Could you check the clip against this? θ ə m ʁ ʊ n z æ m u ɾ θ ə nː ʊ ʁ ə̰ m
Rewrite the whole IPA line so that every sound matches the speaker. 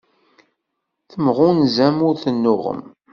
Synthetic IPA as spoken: θ ə m ʁ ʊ n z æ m ʊ ɾ θ ə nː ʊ ʁ ə̰ m